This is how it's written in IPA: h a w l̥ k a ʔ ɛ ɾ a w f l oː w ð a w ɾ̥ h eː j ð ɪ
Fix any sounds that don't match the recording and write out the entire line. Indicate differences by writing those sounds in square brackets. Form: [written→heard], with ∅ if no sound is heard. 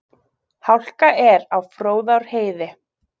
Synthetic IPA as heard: h a w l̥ k a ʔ ɛ ɾ a w f [l→ɾ] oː w ð a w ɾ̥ h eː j ð ɪ